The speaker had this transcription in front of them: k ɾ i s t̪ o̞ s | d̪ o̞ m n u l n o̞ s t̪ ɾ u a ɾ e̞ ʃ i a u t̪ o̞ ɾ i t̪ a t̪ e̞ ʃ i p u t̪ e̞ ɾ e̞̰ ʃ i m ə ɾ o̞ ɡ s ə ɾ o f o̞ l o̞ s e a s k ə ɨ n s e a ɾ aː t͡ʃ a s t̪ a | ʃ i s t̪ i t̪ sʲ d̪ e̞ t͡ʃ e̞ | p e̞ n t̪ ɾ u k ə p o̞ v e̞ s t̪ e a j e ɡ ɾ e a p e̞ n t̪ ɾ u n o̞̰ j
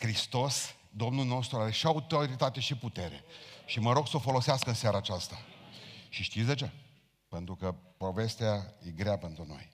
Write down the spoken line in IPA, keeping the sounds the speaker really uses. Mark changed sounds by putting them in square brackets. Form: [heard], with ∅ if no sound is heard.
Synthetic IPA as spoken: k ɾ i s t̪ o̞ s | d̪ o̞ m n u l n o̞ s t̪ ɾ u a ɾ e̞ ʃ i a u t̪ o̞ ɾ i t̪ a t̪ e̞ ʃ i p u t̪ e̞ ɾ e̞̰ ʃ i m ə ɾ o̞ ɡ s ə [∅] o f o̞ l o̞ s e a s k ə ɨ n s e a ɾ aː t͡ʃ a s t̪ a | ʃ i [ʃ] t̪ i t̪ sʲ d̪ e̞ t͡ʃ e̞ | p e̞ n t̪ ɾ u k ə p o̞ v e̞ s t̪ e a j e ɡ ɾ e a p e̞ n t̪ ɾ u n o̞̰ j